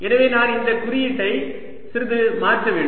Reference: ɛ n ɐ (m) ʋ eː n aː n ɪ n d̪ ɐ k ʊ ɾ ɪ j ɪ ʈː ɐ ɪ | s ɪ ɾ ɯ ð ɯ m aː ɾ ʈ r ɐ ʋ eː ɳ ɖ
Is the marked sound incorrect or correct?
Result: incorrect: none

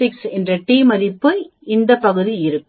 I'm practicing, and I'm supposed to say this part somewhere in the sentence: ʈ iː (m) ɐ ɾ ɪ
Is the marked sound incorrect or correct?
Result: correct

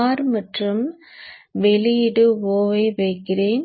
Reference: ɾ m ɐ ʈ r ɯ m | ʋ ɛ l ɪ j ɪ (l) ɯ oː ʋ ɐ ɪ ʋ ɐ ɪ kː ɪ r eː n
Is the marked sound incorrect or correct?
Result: incorrect: ɽ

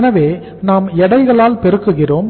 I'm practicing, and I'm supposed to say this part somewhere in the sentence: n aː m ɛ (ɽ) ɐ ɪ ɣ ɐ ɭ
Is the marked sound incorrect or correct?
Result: correct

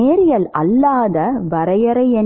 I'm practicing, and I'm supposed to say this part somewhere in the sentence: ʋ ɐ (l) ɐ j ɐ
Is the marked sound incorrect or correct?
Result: incorrect: ɾ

